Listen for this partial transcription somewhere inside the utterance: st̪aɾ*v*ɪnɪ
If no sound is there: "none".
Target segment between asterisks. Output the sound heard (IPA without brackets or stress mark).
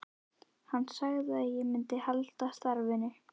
v